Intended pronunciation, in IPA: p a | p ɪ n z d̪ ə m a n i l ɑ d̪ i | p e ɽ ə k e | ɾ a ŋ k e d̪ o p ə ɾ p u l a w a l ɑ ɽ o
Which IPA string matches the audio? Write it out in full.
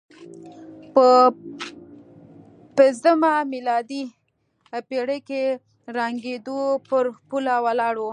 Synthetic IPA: p ə | p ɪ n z d̪ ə m a m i l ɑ d̪ i | p e ɽ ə k e | ɾ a ŋ ɡ e d̪ o p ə ɾ p u l a w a l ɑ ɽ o